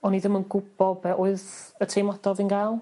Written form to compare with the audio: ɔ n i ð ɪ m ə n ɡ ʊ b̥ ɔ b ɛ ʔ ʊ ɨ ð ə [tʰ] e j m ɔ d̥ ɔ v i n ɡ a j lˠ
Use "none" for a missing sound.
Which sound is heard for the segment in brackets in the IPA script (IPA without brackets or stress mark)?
tʰ